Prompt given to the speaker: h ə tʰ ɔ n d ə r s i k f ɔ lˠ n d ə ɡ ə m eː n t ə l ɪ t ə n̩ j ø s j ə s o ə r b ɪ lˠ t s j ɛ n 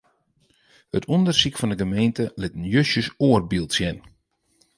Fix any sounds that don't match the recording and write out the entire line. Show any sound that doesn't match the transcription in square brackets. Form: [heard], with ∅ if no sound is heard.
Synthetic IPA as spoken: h ə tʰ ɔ n d ə r s i k f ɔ [∅] n d ə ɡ ə m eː n t ə l ɪ t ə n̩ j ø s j ə s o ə r b [i] lˠ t s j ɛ n